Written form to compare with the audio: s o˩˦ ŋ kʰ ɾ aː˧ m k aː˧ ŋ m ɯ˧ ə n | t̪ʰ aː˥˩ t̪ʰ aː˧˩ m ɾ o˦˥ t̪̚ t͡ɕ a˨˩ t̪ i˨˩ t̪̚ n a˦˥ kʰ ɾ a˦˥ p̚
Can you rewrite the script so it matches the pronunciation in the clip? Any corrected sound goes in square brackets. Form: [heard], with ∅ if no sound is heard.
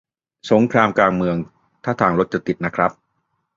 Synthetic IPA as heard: s o˩˦ ŋ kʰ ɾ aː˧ m k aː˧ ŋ m ɯ˧ ə [ŋ] | t̪ʰ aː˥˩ t̪ʰ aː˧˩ [ŋ] ɾ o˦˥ t̪̚ t͡ɕ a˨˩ t̪ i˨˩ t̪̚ n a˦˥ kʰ ɾ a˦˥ p̚